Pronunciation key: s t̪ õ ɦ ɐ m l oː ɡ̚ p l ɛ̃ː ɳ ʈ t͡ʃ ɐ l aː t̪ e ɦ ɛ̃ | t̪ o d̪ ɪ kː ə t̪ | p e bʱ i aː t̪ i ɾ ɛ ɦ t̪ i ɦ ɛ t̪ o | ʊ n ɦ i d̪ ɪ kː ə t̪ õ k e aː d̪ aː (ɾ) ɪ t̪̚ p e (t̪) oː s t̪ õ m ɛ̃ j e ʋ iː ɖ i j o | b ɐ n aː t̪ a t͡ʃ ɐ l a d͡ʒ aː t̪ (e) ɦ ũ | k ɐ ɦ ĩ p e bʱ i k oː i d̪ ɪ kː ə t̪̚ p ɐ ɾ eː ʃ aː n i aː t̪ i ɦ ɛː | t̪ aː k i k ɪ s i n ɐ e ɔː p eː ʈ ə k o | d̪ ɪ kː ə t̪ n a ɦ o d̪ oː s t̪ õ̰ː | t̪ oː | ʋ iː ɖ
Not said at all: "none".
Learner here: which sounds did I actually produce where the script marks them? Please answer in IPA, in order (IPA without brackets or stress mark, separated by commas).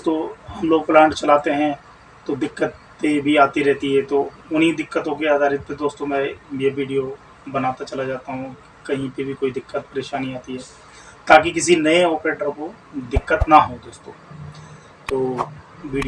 ɾ, d̪, a